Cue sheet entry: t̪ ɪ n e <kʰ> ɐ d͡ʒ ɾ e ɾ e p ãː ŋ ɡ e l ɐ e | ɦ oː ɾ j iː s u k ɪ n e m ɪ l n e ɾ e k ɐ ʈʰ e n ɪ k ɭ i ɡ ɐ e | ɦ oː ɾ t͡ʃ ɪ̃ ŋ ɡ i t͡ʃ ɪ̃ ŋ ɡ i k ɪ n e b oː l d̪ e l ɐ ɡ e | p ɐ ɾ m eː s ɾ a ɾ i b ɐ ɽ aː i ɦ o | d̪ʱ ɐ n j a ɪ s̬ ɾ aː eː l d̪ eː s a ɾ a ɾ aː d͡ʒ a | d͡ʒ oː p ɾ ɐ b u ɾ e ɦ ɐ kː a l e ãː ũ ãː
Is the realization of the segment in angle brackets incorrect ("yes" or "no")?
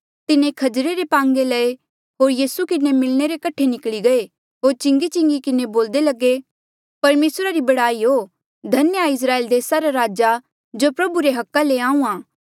no